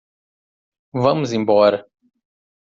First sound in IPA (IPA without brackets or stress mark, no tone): v